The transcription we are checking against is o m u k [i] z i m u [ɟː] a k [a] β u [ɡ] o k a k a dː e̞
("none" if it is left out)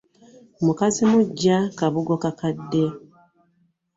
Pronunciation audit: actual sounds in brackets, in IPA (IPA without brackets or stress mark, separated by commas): a, ɟː, a, ɡ